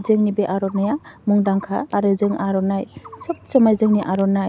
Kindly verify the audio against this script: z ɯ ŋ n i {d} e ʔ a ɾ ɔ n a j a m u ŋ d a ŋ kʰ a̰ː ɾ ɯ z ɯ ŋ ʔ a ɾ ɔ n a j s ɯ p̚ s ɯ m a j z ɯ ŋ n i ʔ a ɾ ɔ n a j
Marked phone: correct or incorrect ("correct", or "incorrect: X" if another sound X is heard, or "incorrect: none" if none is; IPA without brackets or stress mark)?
incorrect: b